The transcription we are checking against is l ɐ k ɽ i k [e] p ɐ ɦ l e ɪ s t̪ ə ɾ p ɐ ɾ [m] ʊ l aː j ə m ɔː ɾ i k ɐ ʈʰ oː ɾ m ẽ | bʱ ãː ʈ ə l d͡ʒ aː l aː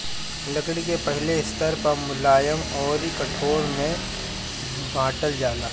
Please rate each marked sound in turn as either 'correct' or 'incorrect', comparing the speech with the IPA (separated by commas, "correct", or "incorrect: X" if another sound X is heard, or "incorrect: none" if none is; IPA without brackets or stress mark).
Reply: correct, correct